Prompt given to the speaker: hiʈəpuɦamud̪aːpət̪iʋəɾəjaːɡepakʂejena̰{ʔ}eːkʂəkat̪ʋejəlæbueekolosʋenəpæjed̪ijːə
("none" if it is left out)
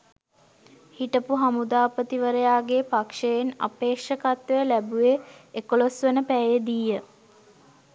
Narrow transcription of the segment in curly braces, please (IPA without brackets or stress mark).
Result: p